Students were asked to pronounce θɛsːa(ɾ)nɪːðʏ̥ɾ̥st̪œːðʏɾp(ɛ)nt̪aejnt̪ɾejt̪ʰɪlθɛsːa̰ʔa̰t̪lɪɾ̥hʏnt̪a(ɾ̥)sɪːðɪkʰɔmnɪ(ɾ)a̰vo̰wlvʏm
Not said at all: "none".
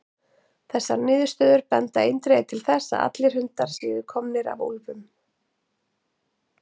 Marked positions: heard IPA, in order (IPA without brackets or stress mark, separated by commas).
ɾ, ɛ, ɾ̥, ɾ